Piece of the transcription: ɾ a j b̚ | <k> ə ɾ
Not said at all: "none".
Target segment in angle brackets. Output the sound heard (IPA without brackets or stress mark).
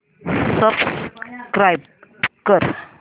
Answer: k